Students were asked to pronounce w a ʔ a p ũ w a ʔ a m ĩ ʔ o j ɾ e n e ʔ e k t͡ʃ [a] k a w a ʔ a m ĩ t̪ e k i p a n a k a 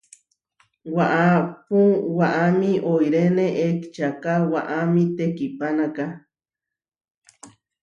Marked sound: correct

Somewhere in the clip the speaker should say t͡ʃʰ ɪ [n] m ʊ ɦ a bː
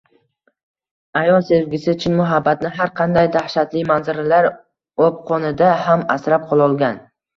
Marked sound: correct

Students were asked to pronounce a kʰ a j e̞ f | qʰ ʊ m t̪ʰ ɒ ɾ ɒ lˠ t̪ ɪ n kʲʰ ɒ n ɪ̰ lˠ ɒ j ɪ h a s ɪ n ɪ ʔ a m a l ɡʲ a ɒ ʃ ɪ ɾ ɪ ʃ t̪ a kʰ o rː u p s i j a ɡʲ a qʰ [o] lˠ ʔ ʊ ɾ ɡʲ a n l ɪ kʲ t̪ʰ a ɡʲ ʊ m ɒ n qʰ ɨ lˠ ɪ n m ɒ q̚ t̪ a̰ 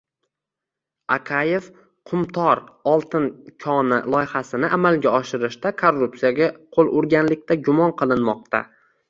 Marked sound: correct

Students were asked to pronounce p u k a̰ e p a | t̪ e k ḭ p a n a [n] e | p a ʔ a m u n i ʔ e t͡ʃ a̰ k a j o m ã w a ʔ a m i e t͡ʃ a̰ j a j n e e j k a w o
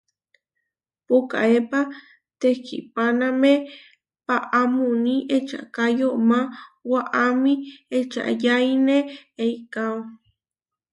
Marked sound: incorrect: m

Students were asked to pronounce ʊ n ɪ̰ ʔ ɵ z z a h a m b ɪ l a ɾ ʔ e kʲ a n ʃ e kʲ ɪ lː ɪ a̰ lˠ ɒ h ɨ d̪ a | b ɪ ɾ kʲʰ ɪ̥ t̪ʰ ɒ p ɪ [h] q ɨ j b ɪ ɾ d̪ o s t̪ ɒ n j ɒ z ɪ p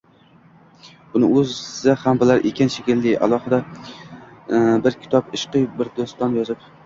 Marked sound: incorrect: ʃ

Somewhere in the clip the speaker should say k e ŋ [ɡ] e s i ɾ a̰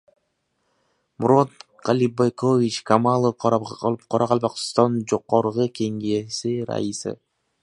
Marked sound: correct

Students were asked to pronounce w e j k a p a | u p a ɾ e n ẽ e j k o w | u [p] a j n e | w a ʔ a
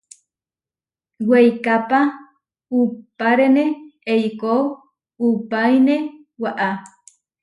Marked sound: correct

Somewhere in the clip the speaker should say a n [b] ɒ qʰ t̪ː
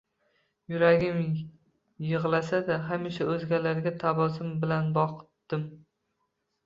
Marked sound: correct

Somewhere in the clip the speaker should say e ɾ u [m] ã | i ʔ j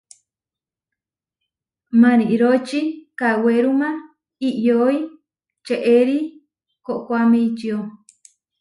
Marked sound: correct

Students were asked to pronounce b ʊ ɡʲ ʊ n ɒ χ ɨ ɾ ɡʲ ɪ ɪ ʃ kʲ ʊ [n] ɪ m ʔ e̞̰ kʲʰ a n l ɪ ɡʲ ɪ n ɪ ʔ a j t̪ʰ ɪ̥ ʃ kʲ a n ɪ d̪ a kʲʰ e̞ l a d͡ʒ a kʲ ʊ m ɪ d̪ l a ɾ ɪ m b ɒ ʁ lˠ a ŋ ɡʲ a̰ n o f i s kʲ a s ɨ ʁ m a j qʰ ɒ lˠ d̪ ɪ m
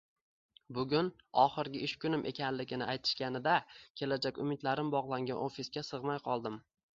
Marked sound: correct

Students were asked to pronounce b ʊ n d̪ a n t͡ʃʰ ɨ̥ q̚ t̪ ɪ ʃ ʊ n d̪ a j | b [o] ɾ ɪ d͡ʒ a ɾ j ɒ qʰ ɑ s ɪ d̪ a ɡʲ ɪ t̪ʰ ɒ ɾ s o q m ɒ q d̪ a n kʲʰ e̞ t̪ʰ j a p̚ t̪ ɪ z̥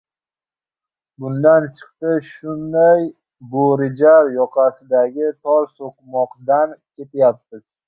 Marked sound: correct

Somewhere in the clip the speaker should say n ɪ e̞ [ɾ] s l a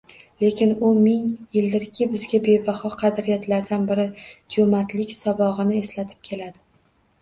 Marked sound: incorrect: none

